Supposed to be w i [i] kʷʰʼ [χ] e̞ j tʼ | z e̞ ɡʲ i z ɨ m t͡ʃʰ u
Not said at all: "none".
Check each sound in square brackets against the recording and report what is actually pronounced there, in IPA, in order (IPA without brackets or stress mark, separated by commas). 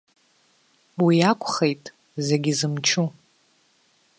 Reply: a, χ